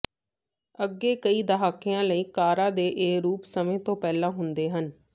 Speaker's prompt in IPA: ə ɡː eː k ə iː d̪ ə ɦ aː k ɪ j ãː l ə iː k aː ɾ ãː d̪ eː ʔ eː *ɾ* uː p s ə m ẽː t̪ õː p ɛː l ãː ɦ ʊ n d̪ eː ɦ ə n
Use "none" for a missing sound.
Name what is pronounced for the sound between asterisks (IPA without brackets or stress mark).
ɾ